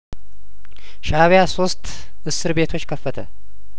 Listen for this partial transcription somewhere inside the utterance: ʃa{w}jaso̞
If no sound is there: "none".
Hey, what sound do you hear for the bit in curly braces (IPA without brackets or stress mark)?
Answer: β